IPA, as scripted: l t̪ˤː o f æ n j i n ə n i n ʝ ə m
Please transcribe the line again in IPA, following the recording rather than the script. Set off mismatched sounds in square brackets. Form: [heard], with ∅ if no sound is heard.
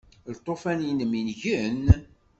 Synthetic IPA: l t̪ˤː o f æ n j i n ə [m] i n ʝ ə [n]

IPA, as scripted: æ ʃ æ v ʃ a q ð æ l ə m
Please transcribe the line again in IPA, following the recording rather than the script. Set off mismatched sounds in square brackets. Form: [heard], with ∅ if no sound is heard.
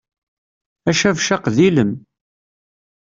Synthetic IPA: æ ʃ æ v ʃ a q ð [i] l ə m

